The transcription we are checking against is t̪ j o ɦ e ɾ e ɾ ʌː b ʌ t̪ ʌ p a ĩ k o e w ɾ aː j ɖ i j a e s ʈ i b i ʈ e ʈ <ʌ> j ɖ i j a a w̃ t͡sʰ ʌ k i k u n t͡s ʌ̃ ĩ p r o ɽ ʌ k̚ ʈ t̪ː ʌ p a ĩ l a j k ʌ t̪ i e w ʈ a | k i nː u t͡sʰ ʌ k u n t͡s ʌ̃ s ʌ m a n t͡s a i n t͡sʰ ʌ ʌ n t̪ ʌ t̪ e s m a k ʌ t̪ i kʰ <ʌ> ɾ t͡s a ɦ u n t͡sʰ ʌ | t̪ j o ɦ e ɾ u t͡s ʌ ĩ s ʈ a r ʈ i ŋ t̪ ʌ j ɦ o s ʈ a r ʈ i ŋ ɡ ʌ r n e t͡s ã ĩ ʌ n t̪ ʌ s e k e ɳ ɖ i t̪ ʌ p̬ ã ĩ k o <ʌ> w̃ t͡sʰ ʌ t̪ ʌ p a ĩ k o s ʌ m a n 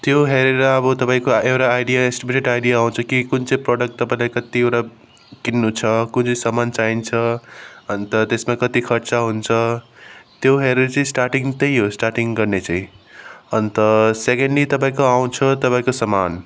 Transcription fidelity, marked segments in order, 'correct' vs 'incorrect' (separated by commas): incorrect, correct, incorrect